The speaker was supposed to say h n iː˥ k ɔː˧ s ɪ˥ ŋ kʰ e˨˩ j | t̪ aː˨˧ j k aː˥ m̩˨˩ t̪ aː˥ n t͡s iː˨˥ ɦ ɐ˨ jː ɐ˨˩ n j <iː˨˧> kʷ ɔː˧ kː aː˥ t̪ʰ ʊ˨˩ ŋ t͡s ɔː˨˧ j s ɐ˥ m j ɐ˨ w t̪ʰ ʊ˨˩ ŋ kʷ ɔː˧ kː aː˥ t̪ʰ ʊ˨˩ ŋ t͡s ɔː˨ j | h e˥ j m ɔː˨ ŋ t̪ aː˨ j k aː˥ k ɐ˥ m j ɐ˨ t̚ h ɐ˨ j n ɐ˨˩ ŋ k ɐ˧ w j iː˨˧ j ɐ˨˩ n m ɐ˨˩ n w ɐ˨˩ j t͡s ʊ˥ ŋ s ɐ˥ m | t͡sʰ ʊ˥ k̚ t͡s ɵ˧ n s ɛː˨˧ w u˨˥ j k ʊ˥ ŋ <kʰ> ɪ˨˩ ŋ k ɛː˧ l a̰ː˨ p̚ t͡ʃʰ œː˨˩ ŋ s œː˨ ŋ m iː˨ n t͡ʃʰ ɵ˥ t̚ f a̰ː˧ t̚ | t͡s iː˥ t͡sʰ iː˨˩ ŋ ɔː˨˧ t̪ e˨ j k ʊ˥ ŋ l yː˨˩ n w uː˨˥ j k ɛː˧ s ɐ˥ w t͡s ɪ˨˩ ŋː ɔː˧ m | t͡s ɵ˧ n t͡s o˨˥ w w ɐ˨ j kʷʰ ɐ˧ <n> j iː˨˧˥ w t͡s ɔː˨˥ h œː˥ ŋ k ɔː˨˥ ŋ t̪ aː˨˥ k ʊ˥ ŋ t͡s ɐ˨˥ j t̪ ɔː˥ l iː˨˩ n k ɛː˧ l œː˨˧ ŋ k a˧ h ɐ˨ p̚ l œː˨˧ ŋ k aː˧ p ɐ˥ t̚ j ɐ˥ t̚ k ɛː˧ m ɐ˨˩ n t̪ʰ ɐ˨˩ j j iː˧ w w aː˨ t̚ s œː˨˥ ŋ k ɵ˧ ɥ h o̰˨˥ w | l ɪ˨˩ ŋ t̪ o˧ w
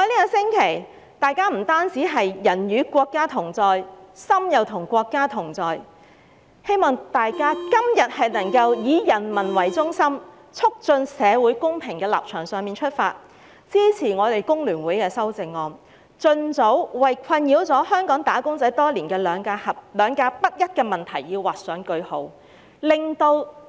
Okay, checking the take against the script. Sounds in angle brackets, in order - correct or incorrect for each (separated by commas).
incorrect, incorrect, correct